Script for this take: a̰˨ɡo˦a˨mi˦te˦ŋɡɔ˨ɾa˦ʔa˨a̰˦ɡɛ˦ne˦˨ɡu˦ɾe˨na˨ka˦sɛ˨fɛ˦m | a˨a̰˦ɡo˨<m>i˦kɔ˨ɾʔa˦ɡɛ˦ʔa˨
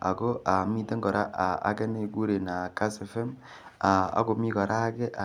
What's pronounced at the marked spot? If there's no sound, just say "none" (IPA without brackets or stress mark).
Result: m